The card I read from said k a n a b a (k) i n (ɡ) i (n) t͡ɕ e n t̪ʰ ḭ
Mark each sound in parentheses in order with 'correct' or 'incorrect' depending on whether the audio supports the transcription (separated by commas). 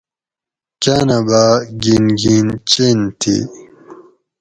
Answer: incorrect, correct, correct